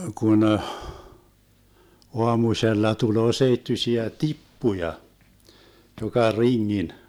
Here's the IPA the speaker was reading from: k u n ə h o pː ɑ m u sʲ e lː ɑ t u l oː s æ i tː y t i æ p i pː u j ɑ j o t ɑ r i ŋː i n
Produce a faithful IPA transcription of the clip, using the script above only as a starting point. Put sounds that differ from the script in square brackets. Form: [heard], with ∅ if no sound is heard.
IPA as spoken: k u n ə h o [∅] ɑ m u sʲ e lː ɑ t u l oː s [e] i tː y [s] i æ [t] i pː u j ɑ j o [k] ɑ r i ŋː i n